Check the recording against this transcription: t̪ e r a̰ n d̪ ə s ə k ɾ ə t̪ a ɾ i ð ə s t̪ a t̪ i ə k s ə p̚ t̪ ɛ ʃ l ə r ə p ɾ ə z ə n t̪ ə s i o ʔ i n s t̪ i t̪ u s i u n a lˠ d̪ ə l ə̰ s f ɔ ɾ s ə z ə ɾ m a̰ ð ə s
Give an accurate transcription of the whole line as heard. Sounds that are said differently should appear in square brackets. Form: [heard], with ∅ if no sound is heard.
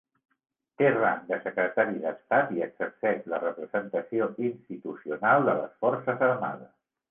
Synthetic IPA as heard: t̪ e r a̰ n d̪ ə s ə k ɾ ə t̪ a ɾ i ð ə s t̪ a t̪ i ə k s ə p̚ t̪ ɛ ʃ l ə r ə p ɾ ə z ə n t̪ ə s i o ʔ i n s t̪ i t̪ u s i u n a lˠ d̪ ə l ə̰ s f ɔ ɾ s ə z ə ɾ m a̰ ð ə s